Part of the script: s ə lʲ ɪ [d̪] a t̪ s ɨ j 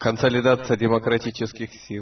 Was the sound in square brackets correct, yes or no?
yes